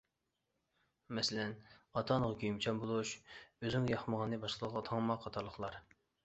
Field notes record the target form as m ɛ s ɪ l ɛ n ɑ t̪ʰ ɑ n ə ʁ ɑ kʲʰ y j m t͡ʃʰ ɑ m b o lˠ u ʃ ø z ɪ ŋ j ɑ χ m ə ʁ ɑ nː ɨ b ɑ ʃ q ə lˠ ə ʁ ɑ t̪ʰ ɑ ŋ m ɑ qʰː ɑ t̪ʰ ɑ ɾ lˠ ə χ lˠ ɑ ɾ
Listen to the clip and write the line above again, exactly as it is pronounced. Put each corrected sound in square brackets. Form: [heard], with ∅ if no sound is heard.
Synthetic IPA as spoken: m ɛ s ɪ l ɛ n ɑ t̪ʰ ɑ n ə ʁ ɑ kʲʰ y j m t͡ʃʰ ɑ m b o lˠ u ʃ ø z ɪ ŋ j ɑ χ m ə ʁ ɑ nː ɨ b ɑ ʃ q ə lˠ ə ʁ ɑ t̪ʰ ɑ ŋ m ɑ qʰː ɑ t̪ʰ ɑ ɾ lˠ ə χ lˠ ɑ ɾ